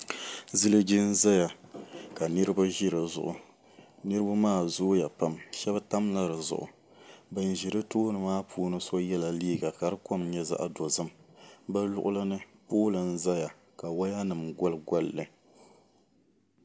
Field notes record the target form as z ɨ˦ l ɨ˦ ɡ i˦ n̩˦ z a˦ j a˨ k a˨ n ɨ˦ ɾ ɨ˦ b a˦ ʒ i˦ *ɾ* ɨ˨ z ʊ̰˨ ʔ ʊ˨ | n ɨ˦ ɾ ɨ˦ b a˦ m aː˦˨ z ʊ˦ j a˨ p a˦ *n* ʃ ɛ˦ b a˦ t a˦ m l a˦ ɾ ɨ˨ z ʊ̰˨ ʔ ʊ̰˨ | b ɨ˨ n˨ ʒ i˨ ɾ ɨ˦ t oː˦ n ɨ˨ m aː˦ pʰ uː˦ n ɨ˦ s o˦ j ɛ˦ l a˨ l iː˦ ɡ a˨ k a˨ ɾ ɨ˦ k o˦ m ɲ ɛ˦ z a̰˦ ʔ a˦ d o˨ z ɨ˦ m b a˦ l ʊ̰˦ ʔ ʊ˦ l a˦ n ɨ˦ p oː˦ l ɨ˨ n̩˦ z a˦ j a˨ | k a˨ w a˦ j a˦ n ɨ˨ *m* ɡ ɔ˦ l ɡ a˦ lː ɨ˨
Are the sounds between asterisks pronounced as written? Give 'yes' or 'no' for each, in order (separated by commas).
yes, no, yes